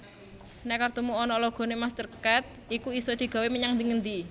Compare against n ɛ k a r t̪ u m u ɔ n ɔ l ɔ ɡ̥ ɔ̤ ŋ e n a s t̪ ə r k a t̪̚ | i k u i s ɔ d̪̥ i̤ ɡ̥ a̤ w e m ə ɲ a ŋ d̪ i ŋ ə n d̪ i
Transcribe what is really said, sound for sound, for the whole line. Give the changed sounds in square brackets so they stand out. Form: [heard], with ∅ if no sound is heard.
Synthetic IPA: n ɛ k a r t̪ u m u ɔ n ɔ l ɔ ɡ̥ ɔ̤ [n] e [m] a s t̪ ə r k a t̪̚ | i k u i s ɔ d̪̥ i̤ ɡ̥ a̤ w e m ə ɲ a ŋ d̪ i ŋ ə n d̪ i

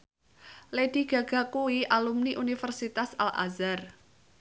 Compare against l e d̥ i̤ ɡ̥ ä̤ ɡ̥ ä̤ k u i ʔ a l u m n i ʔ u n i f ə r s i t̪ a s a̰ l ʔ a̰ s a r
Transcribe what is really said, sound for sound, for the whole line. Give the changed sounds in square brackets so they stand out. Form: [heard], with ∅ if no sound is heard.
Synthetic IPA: l e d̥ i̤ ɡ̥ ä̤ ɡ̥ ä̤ k u i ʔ a l u m n i ʔ u n i f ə r s i t̪ a s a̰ l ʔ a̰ [z] a r

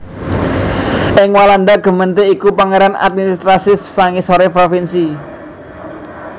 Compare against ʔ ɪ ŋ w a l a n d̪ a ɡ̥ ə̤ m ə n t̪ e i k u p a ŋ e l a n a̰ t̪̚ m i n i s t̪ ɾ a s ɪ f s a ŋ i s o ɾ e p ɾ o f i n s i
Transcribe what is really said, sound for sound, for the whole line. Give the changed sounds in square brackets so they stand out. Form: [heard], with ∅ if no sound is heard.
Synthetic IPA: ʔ ɪ ŋ w a l a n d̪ a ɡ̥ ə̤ m ə n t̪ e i k u p a ŋ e [ɾ] a n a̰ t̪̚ m i n i s t̪ ɾ a s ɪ f s a ŋ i s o ɾ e p ɾ o f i n s i

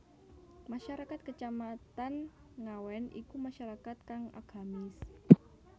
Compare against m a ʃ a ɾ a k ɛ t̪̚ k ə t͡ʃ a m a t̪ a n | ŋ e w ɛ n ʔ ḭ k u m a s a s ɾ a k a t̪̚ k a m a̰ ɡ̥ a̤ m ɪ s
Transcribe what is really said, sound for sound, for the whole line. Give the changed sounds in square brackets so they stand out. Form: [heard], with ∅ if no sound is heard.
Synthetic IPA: m a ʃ a ɾ a k [a] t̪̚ k ə t͡ʃ a m a t̪ a n | ŋ [a] w ɛ n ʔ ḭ k u m a [ʃ] a [∅] ɾ a k a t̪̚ k a [ŋ] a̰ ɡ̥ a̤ m ɪ s

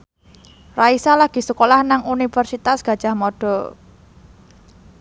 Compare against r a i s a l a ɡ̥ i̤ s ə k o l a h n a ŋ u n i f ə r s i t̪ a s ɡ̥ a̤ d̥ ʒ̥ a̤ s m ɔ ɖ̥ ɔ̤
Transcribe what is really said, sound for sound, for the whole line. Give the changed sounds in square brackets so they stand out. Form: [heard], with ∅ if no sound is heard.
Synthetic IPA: r a i s a l a ɡ̥ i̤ s ə k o l a h n a ŋ u n i f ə r s i t̪ a s ɡ̥ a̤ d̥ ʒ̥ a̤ [h] m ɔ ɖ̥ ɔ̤

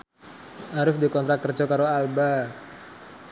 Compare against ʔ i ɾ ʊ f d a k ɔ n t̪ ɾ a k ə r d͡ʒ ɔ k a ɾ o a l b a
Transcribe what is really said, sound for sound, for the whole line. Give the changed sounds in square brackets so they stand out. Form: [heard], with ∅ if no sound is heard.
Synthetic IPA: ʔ [a] ɾ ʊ f d [i] k ɔ n t̪ ɾ a k ə r d͡ʒ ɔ k a ɾ o a l b a

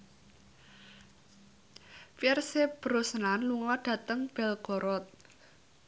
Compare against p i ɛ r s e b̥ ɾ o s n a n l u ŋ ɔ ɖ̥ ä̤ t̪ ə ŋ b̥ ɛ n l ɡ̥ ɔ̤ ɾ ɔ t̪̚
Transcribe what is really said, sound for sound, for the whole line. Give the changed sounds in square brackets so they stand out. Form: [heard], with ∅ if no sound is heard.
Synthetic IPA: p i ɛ r s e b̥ ɾ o s n a n l u ŋ ɔ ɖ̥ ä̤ t̪ ə ŋ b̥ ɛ [∅] l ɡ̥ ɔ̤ ɾ ɔ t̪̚

